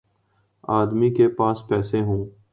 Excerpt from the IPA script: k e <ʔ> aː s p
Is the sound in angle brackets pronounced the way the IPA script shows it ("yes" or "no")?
no